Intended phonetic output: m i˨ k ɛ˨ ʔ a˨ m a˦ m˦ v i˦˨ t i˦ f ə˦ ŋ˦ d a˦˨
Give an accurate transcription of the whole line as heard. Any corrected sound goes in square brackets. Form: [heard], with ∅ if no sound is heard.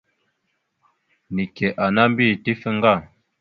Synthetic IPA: [n] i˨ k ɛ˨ ʔ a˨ [n] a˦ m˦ [b] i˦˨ t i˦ f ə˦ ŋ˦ [ɡ] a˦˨